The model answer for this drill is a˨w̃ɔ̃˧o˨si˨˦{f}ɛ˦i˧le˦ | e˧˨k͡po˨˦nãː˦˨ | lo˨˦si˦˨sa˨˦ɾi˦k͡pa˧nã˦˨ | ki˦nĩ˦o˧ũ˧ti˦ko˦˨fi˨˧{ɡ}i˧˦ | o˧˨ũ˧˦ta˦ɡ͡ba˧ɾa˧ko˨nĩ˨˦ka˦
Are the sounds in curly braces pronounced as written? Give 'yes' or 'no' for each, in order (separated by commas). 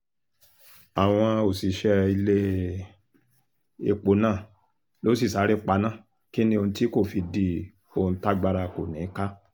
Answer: no, no